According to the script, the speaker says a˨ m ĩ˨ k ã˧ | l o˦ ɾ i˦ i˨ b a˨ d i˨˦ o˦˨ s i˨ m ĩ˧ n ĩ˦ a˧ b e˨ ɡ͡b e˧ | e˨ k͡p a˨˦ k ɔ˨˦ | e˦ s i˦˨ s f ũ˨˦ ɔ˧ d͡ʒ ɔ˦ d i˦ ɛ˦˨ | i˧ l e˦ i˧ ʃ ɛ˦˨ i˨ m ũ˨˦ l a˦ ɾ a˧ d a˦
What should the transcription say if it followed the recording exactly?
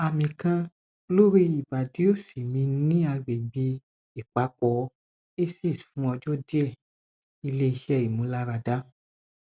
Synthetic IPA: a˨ m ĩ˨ k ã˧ | l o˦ ɾ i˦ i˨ b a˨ d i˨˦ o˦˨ s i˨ m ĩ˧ n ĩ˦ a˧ ɡ͡b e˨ ɡ͡b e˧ | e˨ k͡p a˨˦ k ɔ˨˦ | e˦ s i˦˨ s f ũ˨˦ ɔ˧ d͡ʒ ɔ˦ d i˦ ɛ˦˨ | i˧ l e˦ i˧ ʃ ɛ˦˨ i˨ m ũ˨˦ l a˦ ɾ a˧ d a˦

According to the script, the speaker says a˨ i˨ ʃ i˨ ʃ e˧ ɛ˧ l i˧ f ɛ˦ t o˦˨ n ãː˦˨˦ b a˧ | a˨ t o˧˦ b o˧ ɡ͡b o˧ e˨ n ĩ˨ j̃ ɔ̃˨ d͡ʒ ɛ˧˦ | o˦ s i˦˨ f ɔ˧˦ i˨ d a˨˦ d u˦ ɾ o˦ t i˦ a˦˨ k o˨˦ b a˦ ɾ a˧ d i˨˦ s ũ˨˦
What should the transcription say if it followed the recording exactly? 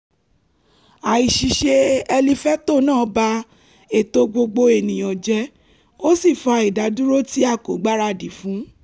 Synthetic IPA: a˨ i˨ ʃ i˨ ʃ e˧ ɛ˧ l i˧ f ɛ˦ t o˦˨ n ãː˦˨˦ b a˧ | e˨ t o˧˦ ɡ͡b o˧ ɡ͡b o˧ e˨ n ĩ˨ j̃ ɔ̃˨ d͡ʒ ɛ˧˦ | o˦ s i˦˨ f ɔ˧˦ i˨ d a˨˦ d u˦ ɾ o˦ t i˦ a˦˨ k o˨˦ ɡ͡b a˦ ɾ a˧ d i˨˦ f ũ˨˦

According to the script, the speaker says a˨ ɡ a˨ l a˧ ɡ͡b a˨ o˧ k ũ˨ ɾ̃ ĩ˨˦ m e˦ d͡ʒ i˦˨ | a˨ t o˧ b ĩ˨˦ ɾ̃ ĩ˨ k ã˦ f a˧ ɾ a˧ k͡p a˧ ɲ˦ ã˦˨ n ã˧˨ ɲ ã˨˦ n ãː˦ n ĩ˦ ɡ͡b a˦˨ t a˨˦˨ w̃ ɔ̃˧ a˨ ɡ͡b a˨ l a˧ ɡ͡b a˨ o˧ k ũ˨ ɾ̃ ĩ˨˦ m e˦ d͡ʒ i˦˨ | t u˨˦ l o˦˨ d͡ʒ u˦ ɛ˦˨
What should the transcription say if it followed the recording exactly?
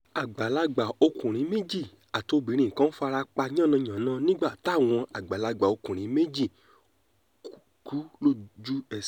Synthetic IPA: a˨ ɡ͡b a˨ l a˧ ɡ͡b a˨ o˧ k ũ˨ ɾ̃ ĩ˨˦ m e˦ d͡ʒ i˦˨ | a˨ t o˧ b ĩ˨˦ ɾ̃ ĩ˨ k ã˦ f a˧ ɾ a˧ k͡p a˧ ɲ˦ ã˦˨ n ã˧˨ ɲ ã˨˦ n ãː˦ n ĩ˦ ɡ͡b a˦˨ t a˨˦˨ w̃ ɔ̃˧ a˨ ɡ͡b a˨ l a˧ ɡ͡b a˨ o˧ k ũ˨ ɾ̃ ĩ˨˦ m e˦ d͡ʒ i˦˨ | k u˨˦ l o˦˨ d͡ʒ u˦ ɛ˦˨

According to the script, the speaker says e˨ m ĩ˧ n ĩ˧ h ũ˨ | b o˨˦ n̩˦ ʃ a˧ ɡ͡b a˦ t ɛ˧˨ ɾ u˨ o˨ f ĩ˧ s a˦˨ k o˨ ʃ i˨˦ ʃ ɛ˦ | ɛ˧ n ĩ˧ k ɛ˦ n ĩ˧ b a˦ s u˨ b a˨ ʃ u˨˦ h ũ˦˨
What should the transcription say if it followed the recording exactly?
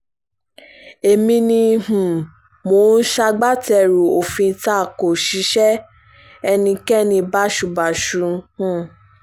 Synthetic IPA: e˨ m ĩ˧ n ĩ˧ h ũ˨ | m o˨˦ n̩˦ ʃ a˧ ɡ͡b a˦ t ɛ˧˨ ɾ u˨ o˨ f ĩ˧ t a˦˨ k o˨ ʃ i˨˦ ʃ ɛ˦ | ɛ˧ n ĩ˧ k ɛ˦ n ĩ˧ b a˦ ʃ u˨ b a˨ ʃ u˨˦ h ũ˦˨

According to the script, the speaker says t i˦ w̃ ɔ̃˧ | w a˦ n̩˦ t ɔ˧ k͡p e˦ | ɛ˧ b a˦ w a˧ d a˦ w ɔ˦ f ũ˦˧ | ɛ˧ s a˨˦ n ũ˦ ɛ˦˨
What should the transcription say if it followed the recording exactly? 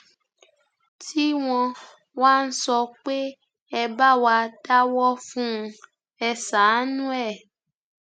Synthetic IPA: t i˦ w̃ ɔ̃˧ | w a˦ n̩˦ s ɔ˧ k͡p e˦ | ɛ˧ b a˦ w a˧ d a˦ w ɔ˦ f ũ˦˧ | ɛ˧ s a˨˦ n ũ˦ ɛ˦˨

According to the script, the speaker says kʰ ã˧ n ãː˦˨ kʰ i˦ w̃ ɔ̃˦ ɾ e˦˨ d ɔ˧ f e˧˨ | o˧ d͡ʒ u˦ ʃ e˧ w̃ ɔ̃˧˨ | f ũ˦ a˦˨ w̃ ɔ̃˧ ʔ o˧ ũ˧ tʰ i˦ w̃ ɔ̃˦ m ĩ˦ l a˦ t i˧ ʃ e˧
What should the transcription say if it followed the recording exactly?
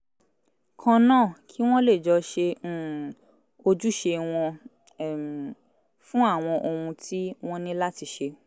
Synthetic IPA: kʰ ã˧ n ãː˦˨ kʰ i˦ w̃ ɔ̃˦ l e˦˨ d͡ʒ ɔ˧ ʃ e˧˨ | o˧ d͡ʒ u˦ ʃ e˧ w̃ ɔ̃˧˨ | f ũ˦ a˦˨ w̃ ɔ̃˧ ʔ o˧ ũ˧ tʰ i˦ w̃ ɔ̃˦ n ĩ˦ l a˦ t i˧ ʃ e˧

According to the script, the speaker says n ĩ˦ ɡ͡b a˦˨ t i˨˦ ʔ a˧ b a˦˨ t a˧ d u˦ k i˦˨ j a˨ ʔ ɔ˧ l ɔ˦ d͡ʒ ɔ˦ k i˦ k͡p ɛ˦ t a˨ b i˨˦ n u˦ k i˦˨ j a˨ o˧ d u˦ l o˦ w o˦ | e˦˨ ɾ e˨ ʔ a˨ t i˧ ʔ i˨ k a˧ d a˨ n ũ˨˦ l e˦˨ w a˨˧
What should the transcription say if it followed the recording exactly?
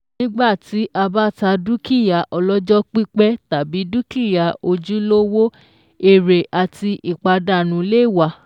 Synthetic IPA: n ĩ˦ ɡ͡b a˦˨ t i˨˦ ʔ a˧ b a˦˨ t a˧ d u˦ k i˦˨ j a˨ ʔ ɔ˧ l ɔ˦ d͡ʒ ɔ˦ k͡p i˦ k͡p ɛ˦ t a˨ b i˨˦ d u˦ k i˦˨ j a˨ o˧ d͡ʒ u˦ l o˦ w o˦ | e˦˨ ɾ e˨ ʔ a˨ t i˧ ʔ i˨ k͡p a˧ d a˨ n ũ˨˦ l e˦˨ w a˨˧

